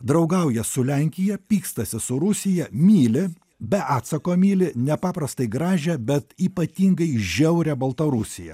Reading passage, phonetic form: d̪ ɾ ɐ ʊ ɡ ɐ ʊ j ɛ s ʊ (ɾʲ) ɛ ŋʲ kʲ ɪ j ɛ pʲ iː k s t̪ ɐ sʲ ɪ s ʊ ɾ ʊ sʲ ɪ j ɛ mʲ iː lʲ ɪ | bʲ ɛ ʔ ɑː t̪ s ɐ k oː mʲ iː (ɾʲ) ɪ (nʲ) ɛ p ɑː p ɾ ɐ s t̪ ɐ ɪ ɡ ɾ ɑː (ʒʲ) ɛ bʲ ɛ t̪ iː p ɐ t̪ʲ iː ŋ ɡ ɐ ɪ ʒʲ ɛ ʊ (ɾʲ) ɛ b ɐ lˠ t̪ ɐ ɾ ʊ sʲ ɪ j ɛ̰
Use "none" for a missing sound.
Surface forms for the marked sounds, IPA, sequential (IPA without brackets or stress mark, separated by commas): lʲ, lʲ, nʲ, ʒʲ, ɾʲ